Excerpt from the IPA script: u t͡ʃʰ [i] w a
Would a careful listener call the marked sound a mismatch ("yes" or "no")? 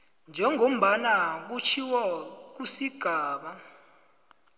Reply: no